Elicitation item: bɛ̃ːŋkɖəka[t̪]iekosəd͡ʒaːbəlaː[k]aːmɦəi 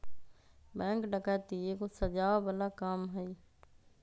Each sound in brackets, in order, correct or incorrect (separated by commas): correct, correct